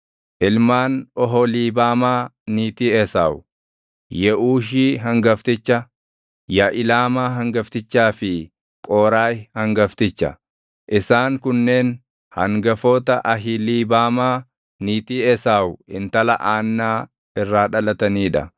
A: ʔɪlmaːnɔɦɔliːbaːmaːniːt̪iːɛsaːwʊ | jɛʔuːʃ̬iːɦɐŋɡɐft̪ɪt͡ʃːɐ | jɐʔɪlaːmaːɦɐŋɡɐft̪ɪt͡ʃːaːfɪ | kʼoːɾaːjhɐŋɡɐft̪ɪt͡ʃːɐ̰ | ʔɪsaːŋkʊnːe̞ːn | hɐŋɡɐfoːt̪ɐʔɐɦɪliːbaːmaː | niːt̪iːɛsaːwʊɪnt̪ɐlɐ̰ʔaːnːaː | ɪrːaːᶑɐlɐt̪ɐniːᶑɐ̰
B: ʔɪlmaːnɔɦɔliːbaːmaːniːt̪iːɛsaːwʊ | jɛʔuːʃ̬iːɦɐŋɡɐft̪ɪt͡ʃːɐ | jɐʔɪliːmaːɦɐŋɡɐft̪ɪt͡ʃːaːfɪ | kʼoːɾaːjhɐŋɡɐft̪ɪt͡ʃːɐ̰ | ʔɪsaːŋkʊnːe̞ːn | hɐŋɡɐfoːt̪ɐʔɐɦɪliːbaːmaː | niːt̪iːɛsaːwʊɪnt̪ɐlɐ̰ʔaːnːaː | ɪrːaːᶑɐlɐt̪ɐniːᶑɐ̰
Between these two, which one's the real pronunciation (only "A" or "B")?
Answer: A